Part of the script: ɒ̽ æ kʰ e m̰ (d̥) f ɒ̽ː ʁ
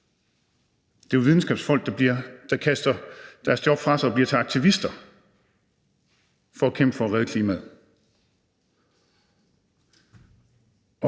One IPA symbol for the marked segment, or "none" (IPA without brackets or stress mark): b̥